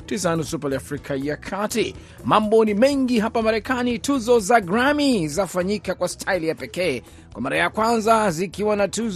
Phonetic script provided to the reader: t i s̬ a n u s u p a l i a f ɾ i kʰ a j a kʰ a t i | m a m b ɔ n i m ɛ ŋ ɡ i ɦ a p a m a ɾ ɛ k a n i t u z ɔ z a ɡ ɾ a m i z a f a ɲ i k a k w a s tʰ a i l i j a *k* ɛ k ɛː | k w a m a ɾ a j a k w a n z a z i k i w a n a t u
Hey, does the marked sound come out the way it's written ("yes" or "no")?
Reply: no